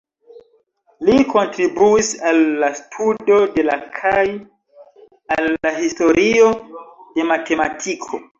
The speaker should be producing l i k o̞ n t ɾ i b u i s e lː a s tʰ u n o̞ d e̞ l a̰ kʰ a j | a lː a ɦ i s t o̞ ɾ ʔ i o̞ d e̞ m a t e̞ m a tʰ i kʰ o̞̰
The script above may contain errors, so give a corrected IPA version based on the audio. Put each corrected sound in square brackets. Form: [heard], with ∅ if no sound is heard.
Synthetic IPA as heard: l i k o̞ n t ɾ i b u i s [a] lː a s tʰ u [d] o̞ d e̞ l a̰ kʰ a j | a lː a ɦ i s t o̞ ɾ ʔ i o̞ d e̞ m a t e̞ m a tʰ i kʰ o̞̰